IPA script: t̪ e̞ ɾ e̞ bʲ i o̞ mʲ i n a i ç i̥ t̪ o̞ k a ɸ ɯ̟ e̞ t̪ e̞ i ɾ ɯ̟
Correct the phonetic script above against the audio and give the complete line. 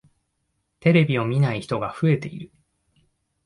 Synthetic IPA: t̪ e̞ ɾ e̞ bʲ i o̞ mʲ i n a i ç i̥ t̪ o̞ ɡ a ɸ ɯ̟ e̞ t̪ e̞ i ɾ ɯ̟

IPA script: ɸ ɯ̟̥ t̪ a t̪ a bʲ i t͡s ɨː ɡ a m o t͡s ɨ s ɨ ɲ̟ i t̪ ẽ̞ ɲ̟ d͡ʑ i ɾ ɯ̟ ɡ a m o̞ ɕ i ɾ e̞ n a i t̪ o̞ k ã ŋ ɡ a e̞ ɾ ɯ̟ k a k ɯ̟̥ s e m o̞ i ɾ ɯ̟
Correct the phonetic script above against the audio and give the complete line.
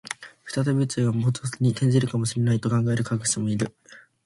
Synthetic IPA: ɸ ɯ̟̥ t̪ a t̪ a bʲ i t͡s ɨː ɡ a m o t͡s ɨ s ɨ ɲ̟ i t̪ ẽ̞ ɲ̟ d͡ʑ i ɾ ɯ̟ k a m o̞ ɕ i ɾ e̞ n a i t̪ o̞ k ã ŋ ɡ a e̞ ɾ ɯ̟ k a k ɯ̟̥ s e m o̞ i ɾ ɯ̟

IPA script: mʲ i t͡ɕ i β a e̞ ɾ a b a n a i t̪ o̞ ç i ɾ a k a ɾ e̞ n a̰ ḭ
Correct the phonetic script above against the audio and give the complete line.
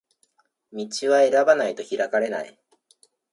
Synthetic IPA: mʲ i t͡ɕ i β a e̞ ɾ a b a n a i t̪ o̞ ç i ɾ a k a ɾ e̞ n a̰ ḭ

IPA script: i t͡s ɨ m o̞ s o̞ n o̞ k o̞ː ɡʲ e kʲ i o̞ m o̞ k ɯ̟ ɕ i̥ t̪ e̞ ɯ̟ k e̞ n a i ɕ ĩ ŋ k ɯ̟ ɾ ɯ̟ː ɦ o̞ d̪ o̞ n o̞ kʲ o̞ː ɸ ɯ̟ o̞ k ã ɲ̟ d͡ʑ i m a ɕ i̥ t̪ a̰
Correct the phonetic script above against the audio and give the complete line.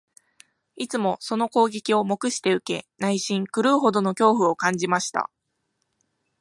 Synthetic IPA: i t͡s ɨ m o̞ s o̞ n o̞ k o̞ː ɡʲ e kʲ i o̞ m o̞ k ɯ̟ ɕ i̥ t̪ e̞ ɯ̟ k e̞ n a i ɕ ĩ ŋ k ɯ̟ ɾ ɯ̟ː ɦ o̞ d̪ o̞ n o̞ kʲ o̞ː ɸ ɯ̟ o̞ k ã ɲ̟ d͡ʑ i m a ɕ i̥ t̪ a̰

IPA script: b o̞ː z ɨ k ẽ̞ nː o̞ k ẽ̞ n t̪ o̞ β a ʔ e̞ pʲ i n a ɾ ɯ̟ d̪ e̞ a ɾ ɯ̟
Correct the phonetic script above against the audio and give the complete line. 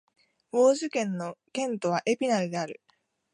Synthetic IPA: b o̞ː ʑ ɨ k ẽ̞ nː o̞ k ẽ̞ n t̪ o̞ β a ʔ e̞ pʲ i n a ɾ ɯ̟ d̪ e̞ a ɾ ɯ̟

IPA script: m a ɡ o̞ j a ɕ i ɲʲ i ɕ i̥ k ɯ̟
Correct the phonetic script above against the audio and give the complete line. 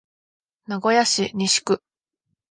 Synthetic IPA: n a ɡ o̞ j a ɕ i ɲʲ i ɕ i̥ k ɯ̟

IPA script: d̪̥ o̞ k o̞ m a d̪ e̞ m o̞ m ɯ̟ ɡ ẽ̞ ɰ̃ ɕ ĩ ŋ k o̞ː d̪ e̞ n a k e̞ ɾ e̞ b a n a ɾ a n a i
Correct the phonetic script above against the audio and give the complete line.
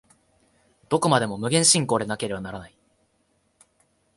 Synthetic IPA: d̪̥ o̞ k o̞ m a d̪ e̞ m o̞ m ɯ̟ ɡ ẽ̞ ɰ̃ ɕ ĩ ŋ k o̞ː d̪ e̞ n a k e̞ ɾ e̞ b a n a ɾ a n a i

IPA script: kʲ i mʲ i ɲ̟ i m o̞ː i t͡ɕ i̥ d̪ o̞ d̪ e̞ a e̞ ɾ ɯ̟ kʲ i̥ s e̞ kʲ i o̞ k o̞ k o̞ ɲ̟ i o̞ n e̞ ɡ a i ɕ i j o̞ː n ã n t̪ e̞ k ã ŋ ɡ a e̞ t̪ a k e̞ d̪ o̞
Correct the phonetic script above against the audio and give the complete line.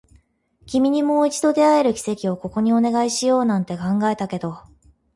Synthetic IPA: kʲ i mʲ i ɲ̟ i m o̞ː i t͡ɕ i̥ d̪ o̞ d̪ e̞ a e̞ ɾ ɯ̟ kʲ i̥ s e̞ kʲ i o̞ k o̞ k o̞ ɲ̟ i o̞ n e̞ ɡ a i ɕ i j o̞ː n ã n t̪ e̞ k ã ŋ ɡ a e̞ t̪ a k e̞ d̪ o̞

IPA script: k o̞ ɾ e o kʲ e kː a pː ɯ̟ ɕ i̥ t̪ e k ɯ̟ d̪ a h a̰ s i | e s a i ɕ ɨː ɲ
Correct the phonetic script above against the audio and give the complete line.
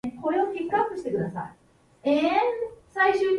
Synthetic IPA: k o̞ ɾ e o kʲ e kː a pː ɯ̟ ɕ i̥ t̪ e k ɯ̟ d̪ a s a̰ i | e s a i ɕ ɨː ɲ

